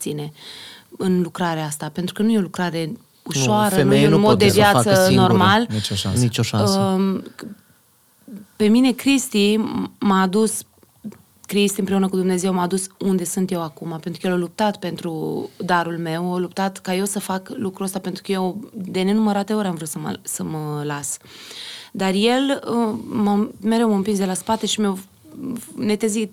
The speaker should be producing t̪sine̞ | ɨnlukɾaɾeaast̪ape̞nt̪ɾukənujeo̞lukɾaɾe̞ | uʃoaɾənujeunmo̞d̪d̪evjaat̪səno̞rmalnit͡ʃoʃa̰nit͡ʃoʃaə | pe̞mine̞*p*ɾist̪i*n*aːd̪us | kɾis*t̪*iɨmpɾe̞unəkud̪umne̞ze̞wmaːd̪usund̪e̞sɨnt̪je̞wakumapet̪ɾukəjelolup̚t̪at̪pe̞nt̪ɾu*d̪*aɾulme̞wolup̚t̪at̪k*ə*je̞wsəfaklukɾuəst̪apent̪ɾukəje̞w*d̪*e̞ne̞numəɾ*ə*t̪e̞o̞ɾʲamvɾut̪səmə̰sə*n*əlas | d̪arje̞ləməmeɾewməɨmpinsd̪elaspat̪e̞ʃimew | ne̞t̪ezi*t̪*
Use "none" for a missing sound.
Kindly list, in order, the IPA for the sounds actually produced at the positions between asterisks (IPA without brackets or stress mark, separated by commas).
k, m, t̪, d̪, a, d̪, a, m, t̪